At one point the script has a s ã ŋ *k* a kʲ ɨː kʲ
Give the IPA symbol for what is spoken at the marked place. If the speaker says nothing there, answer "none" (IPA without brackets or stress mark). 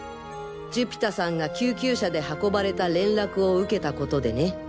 ɡ